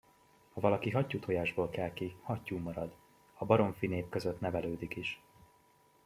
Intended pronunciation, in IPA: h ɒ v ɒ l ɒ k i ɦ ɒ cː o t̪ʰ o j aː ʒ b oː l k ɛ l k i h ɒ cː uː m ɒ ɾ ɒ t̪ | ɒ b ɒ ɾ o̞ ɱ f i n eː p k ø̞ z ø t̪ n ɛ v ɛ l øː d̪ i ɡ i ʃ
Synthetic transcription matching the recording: h ɒ v ɒ l ɒ k i ɦ ɒ cː u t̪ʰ o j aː ʒ b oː l k ɛ l k i h ɒ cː uː m ɒ ɾ ɒ d̪ | ɒ b ɒ ɾ o̞ ɱ f i n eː p k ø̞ z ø t̪ n ɛ v ɛ l øː d̪ i k i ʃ